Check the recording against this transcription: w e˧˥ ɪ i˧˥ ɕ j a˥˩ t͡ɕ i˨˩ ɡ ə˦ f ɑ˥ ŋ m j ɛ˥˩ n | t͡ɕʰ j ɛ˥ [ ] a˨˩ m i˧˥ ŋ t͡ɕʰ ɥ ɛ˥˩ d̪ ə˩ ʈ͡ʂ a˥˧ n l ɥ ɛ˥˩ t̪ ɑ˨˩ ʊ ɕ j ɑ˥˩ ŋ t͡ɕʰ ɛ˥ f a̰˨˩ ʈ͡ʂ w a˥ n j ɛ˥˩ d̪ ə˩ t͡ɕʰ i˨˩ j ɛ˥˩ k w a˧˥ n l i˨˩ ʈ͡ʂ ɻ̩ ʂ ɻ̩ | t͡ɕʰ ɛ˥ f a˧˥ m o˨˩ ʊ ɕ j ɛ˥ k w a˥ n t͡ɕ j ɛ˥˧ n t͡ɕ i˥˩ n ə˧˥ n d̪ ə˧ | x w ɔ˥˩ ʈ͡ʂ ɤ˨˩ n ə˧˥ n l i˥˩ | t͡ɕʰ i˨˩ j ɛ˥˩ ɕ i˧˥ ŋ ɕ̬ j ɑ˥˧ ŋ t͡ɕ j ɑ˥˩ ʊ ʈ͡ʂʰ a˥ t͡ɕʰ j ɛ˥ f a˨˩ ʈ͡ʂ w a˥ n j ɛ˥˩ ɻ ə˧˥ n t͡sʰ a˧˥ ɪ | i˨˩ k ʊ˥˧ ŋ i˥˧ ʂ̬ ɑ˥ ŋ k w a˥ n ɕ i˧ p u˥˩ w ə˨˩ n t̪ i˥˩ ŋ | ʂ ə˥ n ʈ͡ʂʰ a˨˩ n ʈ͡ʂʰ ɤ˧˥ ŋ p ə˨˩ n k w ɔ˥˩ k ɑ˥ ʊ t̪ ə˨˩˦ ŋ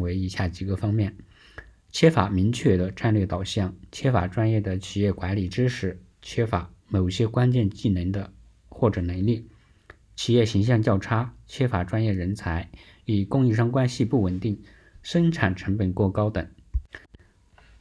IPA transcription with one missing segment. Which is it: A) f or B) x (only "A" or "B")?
A